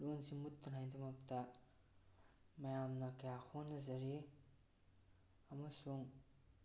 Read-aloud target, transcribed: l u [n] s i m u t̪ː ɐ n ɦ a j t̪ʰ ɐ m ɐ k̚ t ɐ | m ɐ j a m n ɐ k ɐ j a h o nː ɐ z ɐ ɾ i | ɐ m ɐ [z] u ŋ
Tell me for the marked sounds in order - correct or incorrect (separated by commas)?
correct, incorrect